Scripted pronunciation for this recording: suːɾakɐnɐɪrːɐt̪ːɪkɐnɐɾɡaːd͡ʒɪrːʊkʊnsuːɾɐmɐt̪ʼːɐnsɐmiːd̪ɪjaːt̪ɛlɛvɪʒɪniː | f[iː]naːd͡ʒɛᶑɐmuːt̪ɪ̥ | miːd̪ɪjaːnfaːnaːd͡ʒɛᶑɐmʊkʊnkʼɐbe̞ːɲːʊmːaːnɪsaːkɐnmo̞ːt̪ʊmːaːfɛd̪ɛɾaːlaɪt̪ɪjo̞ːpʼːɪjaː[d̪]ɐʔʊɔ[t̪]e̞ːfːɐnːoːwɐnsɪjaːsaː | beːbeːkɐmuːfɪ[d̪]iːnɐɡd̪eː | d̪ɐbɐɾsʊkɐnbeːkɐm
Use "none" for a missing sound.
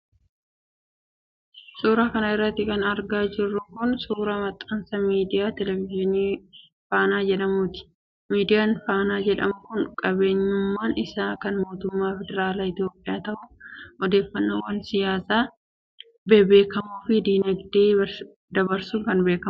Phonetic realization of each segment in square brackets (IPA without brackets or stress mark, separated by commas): aː, t̪, d̪, d̪